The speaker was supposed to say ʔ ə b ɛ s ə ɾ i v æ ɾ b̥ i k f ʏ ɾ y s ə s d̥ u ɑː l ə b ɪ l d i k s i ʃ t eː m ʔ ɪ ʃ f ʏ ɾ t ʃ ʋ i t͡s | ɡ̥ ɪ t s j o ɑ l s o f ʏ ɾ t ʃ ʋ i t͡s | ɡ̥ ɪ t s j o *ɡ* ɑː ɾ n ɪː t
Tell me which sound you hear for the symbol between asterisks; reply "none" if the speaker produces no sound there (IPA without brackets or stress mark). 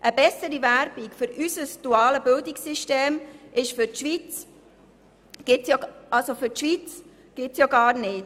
ɡ